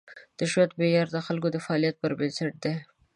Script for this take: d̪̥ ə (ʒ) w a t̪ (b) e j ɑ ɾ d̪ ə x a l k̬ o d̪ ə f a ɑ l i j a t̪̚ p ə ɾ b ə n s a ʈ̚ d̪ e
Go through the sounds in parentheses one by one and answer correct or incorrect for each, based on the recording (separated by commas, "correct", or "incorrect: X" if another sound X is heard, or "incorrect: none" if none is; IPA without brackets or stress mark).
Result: incorrect: ʃ, correct